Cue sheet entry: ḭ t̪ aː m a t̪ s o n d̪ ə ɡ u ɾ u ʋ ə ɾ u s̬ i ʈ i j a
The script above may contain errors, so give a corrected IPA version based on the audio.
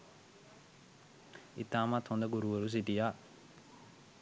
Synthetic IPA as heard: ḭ t̪ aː m a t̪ h o n d̪ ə ɡ u ɾ u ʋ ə ɾ u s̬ i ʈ i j a